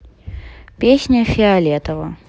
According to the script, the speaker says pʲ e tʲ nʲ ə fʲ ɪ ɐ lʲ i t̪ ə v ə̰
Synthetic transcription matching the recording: pʲ e sʲ nʲ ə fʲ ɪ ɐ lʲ e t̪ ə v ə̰